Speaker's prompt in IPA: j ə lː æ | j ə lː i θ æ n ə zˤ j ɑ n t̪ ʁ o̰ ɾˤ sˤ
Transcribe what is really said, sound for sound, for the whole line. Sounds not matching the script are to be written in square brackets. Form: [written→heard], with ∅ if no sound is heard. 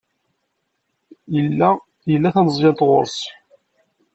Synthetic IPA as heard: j ə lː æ | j ə lː [i→æ] θ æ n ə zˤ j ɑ n t̪ ʁ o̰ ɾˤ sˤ